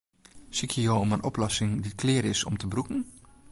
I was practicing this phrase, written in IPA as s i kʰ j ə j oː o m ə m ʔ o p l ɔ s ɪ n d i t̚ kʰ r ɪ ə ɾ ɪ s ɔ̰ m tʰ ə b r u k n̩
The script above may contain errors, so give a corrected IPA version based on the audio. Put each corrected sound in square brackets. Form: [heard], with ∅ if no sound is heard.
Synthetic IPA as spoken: s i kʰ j ə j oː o m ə [n] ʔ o p l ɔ s ɪ [ŋ] d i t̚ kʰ [l] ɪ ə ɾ ɪ s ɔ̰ m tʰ ə b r u k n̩